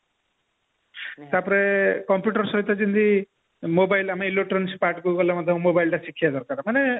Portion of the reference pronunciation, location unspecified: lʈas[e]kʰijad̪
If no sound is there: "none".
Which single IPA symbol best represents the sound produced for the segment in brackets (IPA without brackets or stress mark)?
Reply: i